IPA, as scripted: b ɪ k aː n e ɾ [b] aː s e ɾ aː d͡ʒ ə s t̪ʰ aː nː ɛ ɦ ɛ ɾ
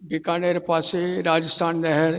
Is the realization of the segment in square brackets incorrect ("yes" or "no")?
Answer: yes